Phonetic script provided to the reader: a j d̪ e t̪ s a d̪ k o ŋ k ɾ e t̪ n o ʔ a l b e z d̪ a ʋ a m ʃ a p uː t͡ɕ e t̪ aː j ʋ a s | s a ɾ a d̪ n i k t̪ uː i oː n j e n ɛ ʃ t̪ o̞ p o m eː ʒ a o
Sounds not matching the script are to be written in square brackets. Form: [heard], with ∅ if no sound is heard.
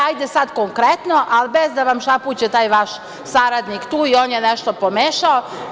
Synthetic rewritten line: a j d̪ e [∅] s a d̪ k o ŋ k ɾ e t̪ n o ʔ a l b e z d̪ a ʋ a m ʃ a p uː t͡ɕ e t̪ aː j ʋ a [ʃ] | s a ɾ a d̪ n i k t̪ uː i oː n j e n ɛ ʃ t̪ o̞ p o m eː [ʃ] a o